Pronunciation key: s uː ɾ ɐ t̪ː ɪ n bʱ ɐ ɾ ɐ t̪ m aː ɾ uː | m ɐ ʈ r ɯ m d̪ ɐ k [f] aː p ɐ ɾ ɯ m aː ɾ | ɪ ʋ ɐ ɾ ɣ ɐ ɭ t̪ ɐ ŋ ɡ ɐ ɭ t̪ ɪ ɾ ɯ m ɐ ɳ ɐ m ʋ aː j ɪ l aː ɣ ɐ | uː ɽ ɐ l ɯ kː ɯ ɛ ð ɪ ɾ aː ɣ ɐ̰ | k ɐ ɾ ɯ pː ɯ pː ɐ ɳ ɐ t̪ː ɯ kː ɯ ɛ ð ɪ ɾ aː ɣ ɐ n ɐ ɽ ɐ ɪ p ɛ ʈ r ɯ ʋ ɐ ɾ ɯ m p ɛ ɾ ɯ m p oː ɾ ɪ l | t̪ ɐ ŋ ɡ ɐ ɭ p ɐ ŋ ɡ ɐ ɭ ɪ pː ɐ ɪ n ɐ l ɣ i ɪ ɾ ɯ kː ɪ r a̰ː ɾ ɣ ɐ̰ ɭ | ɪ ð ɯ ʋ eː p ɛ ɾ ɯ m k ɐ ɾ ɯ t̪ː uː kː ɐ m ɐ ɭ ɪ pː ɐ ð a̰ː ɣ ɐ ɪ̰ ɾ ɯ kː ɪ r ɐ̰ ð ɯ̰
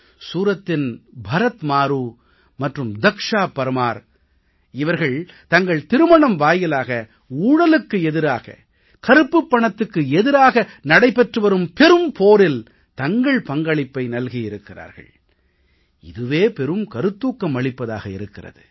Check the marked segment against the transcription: incorrect: ʂ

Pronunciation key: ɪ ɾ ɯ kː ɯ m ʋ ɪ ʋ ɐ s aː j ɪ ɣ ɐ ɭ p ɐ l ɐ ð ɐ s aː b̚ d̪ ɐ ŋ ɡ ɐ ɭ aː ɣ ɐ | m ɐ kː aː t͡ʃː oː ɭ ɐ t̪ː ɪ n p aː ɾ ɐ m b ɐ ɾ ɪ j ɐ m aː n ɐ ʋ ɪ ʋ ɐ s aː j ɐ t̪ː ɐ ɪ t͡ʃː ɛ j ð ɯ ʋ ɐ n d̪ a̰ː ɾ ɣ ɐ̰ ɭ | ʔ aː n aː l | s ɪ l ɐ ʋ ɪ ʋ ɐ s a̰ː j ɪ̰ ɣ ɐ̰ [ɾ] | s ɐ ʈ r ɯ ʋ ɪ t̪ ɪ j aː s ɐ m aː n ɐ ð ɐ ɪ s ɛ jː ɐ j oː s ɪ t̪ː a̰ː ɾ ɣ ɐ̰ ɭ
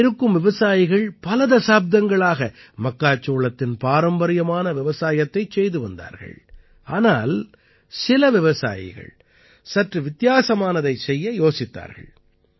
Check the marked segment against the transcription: incorrect: ɭ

